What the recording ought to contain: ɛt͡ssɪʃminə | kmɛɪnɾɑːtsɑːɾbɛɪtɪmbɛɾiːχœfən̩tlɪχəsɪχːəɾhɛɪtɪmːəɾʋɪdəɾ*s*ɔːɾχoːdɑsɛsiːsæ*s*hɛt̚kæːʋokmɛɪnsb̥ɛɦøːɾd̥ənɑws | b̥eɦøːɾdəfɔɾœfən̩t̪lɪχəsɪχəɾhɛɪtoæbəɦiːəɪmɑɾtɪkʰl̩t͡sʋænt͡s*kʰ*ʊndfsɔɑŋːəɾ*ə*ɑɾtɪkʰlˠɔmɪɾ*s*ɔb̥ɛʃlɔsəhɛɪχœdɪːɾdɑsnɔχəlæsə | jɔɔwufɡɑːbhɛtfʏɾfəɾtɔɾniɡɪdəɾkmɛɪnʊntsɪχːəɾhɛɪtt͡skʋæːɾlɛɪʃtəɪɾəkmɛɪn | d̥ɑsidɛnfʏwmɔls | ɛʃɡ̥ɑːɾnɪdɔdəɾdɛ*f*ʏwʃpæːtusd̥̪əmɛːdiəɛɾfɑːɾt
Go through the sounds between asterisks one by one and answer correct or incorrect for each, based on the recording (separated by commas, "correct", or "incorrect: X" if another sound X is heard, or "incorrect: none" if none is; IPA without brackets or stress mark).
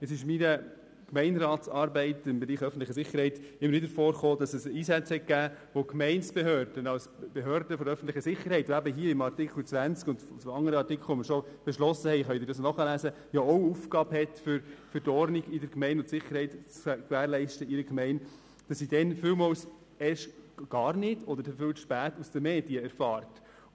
incorrect: f, incorrect: t͡s, incorrect: k, correct, incorrect: ʃ, correct